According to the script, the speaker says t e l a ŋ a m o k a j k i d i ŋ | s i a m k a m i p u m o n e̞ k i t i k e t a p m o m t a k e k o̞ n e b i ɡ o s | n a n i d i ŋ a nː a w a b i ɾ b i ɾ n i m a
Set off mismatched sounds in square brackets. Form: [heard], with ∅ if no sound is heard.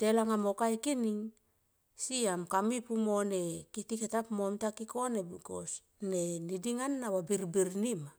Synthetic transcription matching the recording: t e l a ŋ a m o k a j k i [n] i ŋ | s i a m k a m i p u m o n e̞ k i t i k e t a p m o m t a k [i] k o̞ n e b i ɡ o s | n [e] n i d i ŋ a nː a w a b i ɾ b i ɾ n i m a